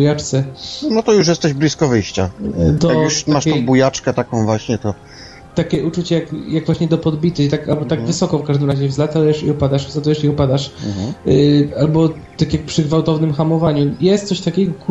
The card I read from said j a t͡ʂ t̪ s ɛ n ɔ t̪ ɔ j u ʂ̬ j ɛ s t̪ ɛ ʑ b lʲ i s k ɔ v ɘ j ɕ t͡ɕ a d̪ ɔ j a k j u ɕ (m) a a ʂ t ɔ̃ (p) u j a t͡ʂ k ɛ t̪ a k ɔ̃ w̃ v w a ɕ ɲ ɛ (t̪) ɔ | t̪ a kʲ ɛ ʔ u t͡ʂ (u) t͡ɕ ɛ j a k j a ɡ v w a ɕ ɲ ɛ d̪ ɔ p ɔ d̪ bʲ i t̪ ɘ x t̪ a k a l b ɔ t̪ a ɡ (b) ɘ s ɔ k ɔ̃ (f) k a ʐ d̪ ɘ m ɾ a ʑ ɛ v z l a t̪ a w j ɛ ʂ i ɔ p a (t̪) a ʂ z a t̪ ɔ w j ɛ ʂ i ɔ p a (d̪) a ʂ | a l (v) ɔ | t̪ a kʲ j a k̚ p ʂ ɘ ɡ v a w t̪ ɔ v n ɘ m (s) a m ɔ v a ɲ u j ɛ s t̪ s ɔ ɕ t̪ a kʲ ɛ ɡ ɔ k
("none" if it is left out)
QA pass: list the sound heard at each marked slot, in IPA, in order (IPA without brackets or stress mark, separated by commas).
m, b, t̪, u, v, f, d̪, d̪, b, x